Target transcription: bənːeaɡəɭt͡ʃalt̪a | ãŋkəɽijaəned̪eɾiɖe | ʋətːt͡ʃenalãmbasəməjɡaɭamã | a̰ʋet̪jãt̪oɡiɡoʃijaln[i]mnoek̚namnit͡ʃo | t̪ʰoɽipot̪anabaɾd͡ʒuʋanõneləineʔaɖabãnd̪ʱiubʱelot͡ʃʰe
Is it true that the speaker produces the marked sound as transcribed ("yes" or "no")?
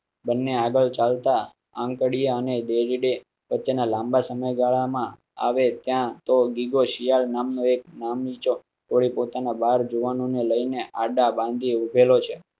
no